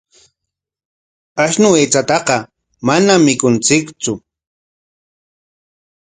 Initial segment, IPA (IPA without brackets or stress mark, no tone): a